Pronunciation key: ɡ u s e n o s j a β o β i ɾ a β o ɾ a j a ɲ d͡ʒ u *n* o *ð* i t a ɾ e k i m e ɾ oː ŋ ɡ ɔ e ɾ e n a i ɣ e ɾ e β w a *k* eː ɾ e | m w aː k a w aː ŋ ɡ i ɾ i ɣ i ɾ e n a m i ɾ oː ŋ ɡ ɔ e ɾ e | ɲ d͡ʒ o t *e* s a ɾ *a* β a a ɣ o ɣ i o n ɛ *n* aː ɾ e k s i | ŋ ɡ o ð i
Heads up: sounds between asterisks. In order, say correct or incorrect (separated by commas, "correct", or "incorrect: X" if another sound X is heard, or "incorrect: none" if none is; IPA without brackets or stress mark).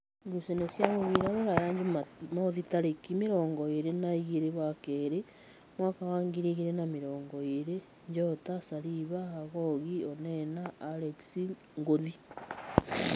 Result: incorrect: m, correct, correct, incorrect: a, incorrect: i, correct